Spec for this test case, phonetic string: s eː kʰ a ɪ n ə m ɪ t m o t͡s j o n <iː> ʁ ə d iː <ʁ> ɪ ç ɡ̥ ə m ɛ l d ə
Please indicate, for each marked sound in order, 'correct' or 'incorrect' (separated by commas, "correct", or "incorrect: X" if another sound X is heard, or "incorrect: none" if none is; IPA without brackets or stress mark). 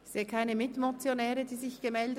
incorrect: ɛː, incorrect: z